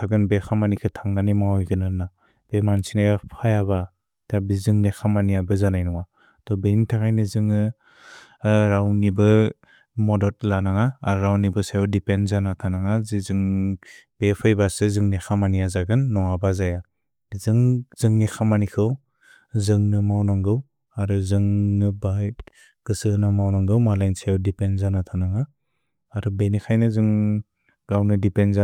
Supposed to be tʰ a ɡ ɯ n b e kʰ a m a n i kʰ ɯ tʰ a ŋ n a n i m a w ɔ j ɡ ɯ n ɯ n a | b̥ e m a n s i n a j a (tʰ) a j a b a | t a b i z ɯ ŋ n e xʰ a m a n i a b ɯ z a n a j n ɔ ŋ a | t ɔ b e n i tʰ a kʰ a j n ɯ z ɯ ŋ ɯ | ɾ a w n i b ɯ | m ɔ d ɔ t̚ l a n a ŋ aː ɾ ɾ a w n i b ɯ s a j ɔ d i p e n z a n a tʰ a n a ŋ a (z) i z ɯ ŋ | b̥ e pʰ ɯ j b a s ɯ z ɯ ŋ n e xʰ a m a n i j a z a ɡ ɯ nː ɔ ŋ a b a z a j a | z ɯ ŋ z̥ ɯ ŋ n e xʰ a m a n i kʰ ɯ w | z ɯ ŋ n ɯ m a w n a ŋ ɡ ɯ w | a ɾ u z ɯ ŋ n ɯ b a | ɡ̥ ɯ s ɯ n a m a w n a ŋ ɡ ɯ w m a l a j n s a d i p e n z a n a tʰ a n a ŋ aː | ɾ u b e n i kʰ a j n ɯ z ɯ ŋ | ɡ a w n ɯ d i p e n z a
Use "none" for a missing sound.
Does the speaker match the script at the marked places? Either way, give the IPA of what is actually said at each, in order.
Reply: pʰ, z

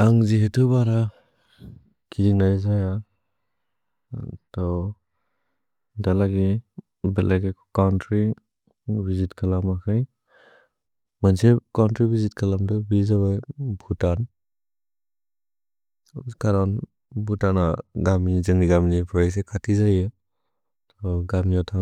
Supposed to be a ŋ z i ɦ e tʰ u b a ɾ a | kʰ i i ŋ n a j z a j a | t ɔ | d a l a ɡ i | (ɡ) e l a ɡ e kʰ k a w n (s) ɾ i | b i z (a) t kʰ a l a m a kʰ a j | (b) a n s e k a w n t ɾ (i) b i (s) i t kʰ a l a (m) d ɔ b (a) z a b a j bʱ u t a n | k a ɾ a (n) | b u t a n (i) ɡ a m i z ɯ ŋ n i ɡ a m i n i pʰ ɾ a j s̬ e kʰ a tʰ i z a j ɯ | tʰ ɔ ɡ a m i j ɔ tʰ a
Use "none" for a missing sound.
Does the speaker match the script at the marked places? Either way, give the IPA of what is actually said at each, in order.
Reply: b, t, i, m, i, z, m, i, n, a

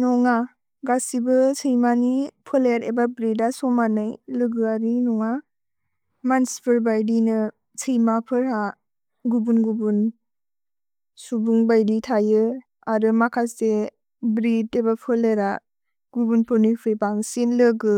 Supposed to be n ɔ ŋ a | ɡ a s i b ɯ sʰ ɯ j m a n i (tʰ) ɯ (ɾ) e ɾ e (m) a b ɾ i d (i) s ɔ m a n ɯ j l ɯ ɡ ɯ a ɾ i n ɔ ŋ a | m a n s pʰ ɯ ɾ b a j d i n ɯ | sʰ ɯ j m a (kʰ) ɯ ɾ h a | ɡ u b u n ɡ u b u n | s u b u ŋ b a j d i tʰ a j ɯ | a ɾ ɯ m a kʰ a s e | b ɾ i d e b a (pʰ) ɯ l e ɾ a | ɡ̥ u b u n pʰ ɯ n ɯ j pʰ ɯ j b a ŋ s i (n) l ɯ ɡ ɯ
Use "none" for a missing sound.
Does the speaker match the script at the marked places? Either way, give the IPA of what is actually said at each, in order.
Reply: pʰ, l, b, a, pʰ, pʰ, n

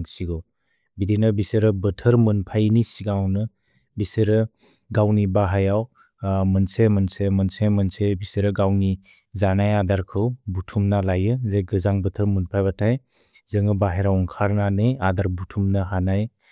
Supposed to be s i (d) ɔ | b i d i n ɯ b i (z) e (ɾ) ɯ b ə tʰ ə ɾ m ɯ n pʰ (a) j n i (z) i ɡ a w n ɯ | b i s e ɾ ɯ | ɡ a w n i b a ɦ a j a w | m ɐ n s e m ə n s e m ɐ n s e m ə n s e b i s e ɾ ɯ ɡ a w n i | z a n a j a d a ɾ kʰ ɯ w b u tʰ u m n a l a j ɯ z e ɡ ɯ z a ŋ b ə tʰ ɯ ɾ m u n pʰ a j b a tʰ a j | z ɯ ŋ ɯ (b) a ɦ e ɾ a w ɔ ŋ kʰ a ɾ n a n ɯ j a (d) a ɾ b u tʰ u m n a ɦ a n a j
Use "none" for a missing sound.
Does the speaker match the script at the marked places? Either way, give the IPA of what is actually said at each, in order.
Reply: ɡ, s, ɾ, a, s, b, d

